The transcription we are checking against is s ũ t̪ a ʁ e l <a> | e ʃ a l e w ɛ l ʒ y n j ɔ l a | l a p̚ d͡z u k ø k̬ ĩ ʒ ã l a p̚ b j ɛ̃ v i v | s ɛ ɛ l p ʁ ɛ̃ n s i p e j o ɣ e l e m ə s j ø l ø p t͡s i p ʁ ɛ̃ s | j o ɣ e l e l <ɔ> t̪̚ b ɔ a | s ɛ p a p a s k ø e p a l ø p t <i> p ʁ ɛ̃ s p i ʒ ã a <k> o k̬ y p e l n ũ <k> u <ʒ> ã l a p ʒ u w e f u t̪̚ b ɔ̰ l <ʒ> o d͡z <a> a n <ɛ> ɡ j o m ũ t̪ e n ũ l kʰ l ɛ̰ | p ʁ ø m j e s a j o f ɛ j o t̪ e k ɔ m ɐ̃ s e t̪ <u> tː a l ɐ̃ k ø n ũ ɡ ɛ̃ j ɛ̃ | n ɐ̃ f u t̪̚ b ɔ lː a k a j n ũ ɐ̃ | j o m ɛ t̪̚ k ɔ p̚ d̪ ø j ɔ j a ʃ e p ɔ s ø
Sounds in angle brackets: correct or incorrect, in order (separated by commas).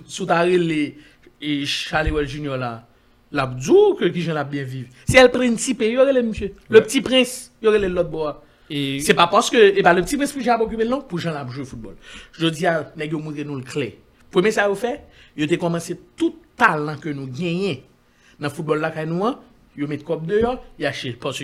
incorrect, correct, correct, incorrect, incorrect, correct, correct, incorrect, correct, correct